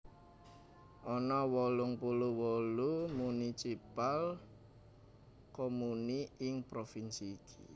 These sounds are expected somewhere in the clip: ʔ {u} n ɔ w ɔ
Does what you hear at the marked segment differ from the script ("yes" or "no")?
yes